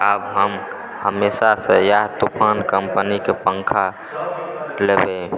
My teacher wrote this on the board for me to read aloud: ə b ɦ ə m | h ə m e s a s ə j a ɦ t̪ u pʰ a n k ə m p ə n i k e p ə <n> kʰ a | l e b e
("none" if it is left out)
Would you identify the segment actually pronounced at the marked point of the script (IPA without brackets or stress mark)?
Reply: ŋ